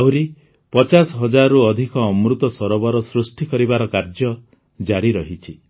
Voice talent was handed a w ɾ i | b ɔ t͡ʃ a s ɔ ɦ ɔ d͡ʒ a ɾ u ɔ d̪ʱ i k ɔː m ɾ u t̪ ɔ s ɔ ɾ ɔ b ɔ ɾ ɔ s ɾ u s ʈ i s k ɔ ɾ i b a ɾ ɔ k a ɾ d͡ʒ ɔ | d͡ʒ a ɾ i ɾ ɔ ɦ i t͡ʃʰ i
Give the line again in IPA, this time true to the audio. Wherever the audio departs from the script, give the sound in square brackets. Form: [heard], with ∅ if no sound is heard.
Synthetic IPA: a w ɾ i | [p] ɔ t͡ʃ a s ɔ ɦ ɔ d͡ʒ a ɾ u ɔ d̪ʱ i k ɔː m ɾ u t̪ ɔ s ɔ ɾ ɔ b ɔ ɾ ɔ s ɾ u s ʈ i [∅] k ɔ ɾ i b a ɾ ɔ k a ɾ d͡ʒ ɔ | d͡ʒ a ɾ i ɾ ɔ ɦ i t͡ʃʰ i